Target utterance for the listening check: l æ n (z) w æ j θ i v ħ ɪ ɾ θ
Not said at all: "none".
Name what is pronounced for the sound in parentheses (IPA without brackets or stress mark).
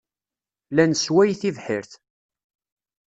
s